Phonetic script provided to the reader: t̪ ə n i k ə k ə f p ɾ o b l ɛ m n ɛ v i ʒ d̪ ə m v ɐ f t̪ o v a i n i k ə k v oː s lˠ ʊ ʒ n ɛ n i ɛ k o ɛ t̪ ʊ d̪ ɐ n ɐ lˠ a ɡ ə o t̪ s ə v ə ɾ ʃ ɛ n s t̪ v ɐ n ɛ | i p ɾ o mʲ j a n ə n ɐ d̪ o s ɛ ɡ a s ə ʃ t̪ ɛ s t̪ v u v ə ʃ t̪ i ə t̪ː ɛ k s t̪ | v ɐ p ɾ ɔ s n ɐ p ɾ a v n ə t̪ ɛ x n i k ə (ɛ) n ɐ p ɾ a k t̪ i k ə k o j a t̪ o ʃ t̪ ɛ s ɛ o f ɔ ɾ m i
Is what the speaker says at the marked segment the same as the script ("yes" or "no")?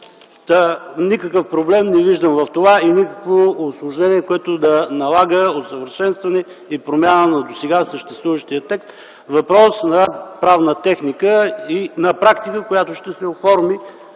no